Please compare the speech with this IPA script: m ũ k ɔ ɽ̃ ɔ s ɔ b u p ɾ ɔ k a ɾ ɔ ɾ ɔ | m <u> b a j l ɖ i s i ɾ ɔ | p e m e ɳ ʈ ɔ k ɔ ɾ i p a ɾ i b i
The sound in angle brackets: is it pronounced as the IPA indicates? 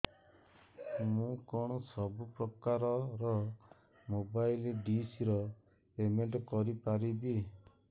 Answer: no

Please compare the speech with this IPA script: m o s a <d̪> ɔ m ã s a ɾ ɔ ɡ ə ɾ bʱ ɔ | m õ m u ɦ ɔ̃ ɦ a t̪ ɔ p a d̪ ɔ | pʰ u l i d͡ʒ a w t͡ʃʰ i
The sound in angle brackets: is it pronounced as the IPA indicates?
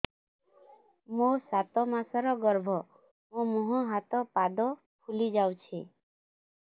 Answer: no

